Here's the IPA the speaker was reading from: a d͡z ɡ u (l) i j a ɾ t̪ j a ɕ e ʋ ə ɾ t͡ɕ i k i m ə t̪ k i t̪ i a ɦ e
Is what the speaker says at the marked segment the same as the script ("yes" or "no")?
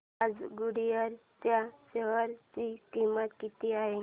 no